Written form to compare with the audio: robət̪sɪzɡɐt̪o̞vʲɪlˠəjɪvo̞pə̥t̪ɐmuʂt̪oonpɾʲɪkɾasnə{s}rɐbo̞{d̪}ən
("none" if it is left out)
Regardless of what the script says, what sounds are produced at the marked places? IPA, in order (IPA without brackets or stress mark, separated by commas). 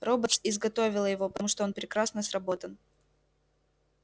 s, t̪